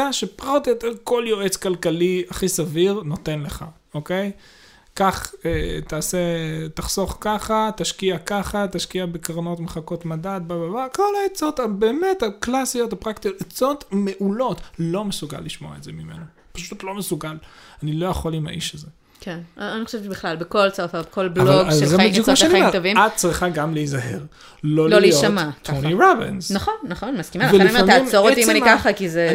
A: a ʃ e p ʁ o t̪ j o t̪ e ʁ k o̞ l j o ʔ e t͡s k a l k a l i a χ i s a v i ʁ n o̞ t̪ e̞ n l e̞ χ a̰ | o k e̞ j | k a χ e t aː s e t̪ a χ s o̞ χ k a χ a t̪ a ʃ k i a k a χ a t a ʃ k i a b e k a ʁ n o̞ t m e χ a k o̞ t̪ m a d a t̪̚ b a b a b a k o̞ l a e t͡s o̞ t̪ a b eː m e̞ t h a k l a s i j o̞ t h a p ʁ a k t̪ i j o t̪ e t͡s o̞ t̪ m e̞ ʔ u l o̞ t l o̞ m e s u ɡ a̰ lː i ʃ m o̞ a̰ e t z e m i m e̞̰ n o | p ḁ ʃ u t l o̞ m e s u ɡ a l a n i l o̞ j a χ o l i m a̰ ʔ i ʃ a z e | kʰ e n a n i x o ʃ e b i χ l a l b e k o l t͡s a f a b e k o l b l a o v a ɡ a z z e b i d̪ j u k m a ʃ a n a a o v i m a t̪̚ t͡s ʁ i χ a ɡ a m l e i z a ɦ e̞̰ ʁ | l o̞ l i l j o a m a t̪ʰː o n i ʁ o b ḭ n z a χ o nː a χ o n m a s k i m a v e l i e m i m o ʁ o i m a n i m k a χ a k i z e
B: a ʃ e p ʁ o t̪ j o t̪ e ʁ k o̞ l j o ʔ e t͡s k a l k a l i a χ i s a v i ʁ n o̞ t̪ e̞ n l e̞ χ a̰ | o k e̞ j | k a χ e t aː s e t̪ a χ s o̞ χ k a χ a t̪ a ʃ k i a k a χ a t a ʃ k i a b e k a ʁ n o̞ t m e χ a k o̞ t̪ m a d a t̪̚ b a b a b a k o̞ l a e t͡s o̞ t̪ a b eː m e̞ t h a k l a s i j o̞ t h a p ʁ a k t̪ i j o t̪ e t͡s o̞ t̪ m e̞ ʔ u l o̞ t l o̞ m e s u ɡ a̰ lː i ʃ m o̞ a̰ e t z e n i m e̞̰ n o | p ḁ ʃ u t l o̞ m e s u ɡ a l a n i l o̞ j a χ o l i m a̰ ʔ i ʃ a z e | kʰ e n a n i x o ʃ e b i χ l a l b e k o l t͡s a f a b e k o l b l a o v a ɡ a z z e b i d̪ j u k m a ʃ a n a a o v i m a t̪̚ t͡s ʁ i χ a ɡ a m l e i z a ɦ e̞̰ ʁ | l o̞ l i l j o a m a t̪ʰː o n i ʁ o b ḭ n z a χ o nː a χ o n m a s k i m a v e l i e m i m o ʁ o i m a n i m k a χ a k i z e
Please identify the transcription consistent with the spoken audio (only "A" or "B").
A